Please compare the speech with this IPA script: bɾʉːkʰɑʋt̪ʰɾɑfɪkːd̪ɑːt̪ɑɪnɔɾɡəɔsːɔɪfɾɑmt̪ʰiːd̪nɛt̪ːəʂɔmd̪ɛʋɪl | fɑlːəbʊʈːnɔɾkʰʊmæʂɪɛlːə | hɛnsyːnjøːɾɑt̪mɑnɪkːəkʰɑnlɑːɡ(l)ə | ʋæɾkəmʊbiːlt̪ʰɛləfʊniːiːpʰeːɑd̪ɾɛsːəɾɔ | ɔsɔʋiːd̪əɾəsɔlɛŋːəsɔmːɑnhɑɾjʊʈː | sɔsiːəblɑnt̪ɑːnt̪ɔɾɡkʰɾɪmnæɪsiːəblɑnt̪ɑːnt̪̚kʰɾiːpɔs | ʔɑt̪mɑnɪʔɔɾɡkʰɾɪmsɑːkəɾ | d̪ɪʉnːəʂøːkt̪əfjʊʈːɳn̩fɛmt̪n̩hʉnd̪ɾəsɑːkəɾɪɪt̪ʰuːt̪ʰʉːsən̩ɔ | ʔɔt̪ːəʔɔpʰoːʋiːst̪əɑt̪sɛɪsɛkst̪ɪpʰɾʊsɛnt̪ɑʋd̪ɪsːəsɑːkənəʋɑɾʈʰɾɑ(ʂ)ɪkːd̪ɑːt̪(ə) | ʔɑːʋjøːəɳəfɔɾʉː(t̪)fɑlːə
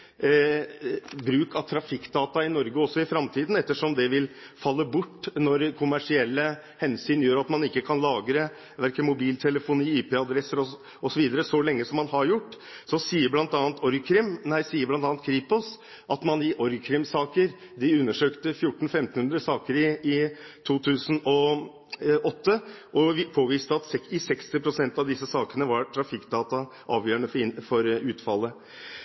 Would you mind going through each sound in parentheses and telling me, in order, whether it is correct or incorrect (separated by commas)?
incorrect, incorrect, incorrect, correct